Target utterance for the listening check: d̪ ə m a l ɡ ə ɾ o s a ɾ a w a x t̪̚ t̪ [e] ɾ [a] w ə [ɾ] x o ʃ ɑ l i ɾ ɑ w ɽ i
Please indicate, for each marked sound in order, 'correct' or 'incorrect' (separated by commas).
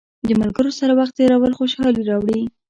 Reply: correct, correct, incorrect